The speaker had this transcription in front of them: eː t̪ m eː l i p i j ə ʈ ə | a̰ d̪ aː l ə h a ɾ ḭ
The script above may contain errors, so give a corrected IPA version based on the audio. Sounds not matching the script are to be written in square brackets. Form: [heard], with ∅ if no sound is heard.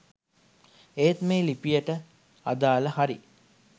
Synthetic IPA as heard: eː t̪ m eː l i p i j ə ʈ ə | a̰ d̪ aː l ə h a ɾ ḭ